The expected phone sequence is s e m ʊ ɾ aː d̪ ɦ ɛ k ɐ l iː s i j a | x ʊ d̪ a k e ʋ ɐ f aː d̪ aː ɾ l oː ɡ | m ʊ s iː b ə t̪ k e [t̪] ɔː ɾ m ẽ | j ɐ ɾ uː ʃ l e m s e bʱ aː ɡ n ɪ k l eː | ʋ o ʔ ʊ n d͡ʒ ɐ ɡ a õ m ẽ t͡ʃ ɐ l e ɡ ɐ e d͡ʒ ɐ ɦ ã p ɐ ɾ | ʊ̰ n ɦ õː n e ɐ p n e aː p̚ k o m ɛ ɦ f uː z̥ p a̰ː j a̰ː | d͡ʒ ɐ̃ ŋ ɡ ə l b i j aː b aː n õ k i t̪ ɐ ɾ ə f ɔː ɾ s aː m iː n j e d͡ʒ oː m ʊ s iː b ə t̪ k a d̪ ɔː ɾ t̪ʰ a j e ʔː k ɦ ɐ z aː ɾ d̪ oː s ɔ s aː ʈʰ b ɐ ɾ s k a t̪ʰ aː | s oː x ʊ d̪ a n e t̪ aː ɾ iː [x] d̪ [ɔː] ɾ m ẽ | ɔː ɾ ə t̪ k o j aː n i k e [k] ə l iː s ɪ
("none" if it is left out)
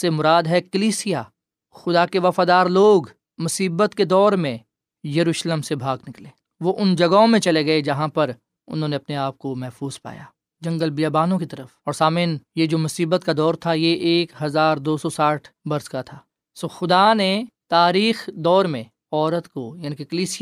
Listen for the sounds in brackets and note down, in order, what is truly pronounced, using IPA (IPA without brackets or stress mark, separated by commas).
d̪, x, ɔː, k